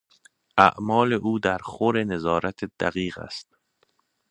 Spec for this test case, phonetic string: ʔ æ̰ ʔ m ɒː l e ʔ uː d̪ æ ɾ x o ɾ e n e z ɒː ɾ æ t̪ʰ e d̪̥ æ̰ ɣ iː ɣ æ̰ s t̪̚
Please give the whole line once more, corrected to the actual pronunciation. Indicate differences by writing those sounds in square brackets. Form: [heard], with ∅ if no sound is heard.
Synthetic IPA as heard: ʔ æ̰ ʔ m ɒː l e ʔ uː d̪ æ ɾ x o ɾ e n e z ɒː ɾ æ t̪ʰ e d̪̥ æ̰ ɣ iː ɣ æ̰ s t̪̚